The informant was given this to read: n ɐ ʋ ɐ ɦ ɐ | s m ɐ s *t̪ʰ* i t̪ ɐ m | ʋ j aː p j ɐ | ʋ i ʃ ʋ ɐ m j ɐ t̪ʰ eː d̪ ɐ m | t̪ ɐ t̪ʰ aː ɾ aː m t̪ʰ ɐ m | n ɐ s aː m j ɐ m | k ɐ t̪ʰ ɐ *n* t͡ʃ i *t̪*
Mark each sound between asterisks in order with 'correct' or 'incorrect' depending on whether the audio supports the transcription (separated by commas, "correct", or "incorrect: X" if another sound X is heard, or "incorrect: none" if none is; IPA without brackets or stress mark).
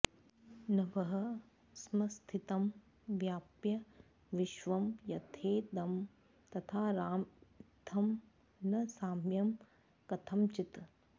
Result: correct, incorrect: m, correct